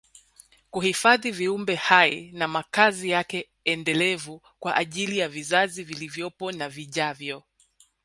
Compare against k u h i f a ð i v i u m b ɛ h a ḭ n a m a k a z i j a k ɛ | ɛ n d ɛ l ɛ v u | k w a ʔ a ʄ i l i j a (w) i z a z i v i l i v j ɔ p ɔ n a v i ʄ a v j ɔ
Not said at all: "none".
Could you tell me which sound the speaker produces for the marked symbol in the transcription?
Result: v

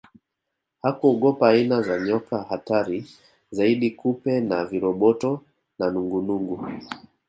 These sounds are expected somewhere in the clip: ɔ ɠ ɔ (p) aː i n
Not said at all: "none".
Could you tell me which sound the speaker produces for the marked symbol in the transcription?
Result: p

